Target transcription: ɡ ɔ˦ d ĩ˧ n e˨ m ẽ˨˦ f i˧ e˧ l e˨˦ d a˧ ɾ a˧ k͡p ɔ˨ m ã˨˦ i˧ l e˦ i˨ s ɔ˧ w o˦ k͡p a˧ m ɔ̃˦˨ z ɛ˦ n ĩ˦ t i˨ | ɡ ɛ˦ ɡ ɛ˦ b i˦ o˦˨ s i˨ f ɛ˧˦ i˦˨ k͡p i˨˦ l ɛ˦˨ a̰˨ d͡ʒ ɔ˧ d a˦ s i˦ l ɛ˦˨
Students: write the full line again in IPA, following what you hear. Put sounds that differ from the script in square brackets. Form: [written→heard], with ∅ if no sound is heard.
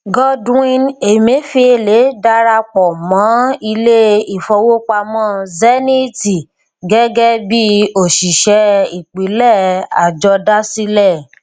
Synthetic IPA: ɡ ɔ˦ d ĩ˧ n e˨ m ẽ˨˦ f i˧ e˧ l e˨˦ d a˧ ɾ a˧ k͡p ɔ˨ m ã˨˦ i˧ l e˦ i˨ [s→f] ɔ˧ w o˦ k͡p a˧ m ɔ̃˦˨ z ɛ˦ n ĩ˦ t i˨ | ɡ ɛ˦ ɡ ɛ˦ b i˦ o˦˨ [s→ʃ] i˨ [f→ʃ] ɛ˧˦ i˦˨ k͡p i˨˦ l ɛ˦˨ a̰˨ d͡ʒ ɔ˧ d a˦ s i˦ l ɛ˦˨